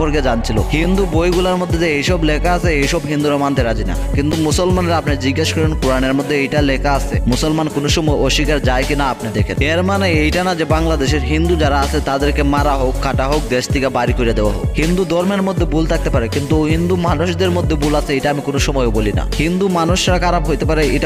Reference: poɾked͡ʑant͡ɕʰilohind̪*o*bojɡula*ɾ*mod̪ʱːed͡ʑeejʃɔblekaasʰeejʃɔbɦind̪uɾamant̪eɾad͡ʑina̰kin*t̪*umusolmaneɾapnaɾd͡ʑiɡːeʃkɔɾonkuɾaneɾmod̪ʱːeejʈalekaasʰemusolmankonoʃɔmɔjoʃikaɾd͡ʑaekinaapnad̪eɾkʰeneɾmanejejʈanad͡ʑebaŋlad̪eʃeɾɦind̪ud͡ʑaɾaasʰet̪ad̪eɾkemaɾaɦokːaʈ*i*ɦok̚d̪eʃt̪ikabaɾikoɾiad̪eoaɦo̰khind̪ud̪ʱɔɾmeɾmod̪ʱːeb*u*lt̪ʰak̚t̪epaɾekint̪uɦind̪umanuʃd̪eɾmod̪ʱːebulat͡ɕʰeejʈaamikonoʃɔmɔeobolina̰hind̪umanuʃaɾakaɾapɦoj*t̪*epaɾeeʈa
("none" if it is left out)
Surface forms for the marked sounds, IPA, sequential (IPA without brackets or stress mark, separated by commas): u, ɾ, t̪, a, u, t̪